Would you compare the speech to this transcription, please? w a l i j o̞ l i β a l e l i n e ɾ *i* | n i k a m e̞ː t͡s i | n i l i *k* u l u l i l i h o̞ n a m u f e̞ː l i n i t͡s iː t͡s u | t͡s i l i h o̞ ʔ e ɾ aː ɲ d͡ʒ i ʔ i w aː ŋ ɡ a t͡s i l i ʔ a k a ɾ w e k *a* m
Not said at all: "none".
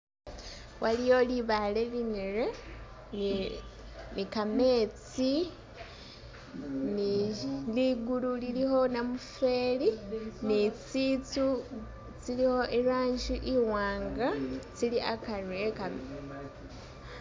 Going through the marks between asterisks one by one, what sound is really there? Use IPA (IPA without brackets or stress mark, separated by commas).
e, ɡ, a